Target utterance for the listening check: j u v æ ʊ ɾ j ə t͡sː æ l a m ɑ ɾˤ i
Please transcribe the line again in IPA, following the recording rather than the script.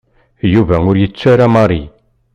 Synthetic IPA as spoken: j u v æ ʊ ɾ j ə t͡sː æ ɾ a m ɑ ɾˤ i